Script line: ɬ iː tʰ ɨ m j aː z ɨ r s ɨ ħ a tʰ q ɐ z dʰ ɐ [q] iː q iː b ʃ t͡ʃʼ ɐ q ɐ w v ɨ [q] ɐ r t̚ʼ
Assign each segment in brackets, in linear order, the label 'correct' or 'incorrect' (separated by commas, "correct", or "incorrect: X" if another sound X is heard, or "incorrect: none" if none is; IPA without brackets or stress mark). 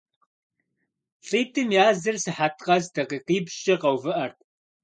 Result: correct, incorrect: ʔ